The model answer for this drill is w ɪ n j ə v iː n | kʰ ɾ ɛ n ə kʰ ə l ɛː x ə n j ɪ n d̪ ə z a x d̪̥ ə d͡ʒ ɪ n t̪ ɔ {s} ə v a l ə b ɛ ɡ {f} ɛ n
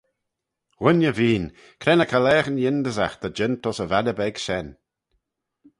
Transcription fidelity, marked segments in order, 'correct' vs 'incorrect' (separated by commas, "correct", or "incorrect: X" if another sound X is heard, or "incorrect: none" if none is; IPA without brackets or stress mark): correct, incorrect: ʃ